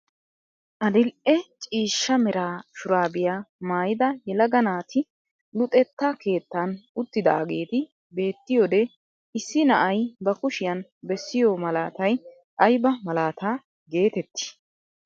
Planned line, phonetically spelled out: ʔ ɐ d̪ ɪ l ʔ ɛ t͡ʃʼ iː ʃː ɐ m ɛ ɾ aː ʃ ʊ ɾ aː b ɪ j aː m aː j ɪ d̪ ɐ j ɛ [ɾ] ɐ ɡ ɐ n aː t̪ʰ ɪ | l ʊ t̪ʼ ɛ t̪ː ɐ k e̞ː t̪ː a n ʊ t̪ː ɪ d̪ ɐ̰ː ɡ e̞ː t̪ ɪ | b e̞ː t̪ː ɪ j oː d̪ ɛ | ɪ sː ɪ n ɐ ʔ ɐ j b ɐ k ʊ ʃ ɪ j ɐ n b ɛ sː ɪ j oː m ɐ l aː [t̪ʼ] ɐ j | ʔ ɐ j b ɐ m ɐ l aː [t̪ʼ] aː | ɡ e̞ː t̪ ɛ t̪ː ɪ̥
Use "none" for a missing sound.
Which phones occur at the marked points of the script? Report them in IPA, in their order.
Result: l, t̪, t̪

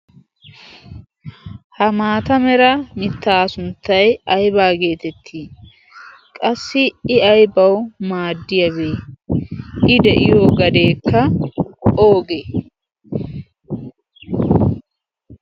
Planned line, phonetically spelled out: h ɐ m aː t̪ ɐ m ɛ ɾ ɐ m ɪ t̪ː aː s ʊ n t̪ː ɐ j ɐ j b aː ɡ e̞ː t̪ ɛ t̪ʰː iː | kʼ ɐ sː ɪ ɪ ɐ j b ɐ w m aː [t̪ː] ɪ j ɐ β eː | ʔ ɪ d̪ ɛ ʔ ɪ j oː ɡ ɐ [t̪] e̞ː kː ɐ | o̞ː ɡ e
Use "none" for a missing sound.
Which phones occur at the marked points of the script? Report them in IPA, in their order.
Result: d̪ː, d̪

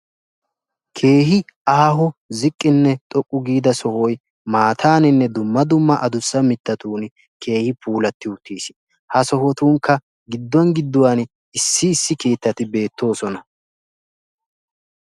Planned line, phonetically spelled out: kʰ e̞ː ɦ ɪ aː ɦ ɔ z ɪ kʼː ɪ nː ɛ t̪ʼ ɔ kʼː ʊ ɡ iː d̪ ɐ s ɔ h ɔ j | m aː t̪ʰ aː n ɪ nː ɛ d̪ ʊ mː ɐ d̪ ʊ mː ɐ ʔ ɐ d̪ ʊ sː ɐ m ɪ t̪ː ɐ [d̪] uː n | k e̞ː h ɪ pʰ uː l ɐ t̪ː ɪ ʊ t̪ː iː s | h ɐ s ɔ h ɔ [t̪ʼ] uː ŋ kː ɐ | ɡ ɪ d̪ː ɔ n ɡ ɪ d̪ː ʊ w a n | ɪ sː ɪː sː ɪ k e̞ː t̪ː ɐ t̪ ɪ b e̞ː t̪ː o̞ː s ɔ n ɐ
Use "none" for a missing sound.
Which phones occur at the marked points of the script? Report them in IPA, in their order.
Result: t̪, t̪

